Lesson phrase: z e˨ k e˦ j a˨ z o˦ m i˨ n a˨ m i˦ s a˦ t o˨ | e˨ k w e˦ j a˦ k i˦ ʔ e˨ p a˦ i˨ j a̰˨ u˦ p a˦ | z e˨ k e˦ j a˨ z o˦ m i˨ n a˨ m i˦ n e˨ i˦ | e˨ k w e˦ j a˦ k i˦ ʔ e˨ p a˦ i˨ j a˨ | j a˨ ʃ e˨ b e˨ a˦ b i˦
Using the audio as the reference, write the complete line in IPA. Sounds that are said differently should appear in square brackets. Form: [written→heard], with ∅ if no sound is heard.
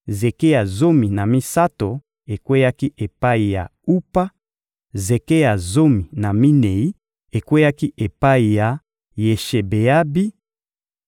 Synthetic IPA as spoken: z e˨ k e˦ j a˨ z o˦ m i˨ n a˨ m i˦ s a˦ t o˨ | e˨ k w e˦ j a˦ k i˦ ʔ e˨ p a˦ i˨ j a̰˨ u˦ p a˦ | z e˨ k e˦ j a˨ z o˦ m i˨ n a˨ m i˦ n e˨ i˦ | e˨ k w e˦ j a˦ k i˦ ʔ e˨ p a˦ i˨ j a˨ | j [a˨→e˨] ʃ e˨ b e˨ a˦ b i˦

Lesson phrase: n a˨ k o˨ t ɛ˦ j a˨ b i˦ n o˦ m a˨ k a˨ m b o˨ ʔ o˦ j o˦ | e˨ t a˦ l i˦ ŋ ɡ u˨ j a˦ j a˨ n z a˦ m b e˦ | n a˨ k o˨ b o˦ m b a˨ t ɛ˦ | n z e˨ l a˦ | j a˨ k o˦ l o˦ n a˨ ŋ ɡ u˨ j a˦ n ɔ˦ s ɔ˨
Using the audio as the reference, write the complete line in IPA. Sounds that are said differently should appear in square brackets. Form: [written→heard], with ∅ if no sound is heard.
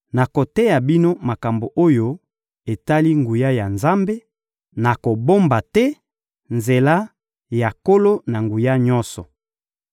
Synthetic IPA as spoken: n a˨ k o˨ t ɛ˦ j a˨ b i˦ n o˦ m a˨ k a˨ m b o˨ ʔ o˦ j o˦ | e˨ t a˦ l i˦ ŋ ɡ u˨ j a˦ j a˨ n z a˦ m b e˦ | n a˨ k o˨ b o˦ m b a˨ t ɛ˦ | n z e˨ l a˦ | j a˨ k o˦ l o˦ n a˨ ŋ ɡ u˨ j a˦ [n→ɲ] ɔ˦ s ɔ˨

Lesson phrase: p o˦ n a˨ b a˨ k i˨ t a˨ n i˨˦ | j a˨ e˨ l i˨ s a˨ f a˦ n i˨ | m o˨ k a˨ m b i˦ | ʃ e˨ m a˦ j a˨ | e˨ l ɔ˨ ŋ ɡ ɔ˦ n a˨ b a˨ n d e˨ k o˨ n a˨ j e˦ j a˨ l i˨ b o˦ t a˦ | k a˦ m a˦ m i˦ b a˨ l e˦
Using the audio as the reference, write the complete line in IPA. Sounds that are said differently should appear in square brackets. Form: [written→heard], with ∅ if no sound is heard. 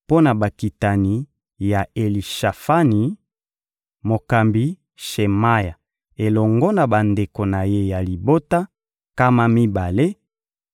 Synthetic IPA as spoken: p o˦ n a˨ b a˨ k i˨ t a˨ n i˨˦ | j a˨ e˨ l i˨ [s→ʃ] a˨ f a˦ n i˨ | m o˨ k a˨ m b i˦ | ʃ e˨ m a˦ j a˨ | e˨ l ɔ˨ ŋ ɡ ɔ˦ n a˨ b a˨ n d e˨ k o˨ n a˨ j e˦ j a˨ l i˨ b o˦ t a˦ | k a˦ m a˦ m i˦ b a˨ l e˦

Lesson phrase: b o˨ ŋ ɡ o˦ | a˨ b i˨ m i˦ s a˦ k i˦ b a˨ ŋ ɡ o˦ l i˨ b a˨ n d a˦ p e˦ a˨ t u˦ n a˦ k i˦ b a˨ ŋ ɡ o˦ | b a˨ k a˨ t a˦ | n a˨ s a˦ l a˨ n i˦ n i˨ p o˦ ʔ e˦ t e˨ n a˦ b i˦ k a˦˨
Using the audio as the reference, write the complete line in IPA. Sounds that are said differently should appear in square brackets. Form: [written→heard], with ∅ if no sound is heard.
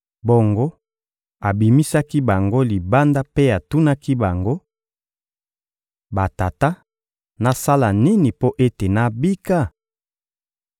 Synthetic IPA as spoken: b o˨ ŋ ɡ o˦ | a˨ b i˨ m i˦ s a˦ k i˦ b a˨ ŋ ɡ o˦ l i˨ b [a˨→a˦] n d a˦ p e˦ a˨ t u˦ n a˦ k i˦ b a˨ ŋ ɡ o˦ | b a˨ [k→t] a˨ t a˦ | n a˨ s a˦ l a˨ n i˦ n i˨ p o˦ ʔ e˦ t e˨ n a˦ b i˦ k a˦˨

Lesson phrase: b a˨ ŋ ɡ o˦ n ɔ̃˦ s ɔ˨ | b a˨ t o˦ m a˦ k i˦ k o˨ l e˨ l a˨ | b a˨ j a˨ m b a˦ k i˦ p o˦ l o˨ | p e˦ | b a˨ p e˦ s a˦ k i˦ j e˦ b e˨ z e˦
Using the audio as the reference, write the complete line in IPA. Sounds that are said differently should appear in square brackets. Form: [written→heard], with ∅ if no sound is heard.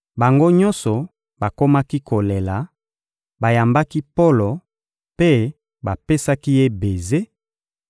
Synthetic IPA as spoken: b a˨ ŋ ɡ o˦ [n→ɲ] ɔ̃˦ s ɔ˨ | b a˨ [t→k] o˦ m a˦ k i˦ k o˨ l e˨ l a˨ | b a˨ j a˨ m b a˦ k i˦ p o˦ l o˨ | p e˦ | b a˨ p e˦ s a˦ k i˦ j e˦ b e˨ z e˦

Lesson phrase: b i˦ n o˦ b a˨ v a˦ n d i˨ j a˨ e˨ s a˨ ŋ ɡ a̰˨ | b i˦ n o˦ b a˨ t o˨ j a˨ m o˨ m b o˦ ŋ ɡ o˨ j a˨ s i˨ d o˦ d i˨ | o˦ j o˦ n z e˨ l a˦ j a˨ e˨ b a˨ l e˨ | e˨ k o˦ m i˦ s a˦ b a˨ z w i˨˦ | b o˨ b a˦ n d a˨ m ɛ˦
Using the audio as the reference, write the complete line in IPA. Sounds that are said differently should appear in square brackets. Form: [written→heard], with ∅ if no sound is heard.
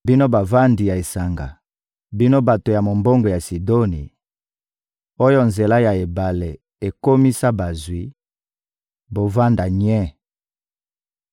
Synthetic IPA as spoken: b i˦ n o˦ b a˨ v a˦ n d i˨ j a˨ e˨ s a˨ ŋ ɡ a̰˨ | b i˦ n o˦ b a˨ t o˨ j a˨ m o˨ m b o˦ ŋ ɡ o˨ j a˨ s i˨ d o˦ [d→n] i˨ | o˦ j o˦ n z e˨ l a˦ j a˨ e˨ b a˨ l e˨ | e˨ k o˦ m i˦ s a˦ b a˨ z w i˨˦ | b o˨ [b→v] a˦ n d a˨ [m→ɲ] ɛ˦

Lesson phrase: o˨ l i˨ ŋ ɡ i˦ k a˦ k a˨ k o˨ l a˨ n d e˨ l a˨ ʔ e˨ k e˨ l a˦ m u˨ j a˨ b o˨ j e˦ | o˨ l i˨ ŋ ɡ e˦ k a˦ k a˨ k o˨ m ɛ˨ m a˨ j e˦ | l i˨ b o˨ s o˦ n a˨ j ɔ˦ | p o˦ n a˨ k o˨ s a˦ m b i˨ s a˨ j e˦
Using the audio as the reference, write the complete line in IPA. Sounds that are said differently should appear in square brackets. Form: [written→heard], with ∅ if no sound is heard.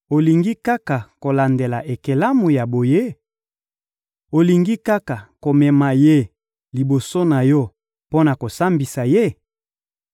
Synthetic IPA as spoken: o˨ l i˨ ŋ ɡ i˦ k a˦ k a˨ k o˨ l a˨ n d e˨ l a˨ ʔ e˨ k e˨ l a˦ m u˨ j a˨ b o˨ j e˦ | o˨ l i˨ ŋ ɡ [e˦→i˦] k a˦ k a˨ k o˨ m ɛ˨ m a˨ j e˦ | l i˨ b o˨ s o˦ n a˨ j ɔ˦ | p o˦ n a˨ k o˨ s a˦ m b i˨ s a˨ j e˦

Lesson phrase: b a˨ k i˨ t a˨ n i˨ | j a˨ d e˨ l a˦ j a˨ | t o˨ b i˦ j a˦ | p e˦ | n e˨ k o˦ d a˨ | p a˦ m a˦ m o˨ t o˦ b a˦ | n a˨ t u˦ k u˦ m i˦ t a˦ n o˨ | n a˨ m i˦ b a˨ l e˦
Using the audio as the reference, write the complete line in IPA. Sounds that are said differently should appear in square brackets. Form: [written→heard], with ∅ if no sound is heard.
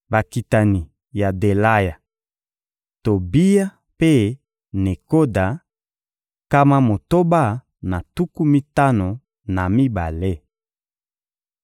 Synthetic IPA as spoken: b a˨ k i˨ t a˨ n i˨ | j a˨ d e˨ l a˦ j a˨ | t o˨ b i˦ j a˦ | p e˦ | n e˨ k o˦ d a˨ | [p→k] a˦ m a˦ m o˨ t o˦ b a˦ | n a˨ t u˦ k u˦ m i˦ t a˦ n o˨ | n a˨ m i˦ b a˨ l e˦

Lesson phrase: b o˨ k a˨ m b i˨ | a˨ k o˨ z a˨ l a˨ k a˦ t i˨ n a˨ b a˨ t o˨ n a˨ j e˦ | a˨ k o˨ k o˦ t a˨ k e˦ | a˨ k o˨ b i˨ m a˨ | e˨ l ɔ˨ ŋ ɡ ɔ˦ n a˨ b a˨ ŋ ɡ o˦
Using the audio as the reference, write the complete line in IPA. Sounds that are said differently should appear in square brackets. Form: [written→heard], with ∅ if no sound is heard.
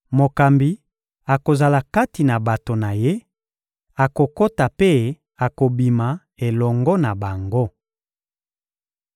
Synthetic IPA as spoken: [b→m] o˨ k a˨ m b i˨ | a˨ k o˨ z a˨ l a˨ k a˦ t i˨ n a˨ b a˨ t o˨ n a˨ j e˦ | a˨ k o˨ k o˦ t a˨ [k→p] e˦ | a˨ k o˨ b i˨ m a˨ | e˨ l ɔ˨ ŋ ɡ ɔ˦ n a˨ b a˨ ŋ ɡ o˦

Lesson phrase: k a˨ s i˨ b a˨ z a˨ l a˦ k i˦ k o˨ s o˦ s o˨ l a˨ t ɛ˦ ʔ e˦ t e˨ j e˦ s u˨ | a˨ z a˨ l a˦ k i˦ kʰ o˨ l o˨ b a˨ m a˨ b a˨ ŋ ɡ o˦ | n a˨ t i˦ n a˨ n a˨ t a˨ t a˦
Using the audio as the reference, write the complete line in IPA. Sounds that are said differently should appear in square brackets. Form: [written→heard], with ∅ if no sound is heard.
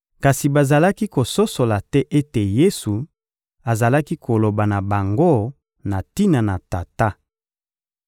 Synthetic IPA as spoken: k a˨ s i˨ b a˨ z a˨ l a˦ k i˦ k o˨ s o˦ s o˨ l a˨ t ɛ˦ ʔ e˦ t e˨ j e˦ s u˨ | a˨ z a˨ l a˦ k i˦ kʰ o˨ l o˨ b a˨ [m→n] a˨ b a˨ ŋ ɡ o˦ | n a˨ t i˦ n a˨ n a˨ t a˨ t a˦

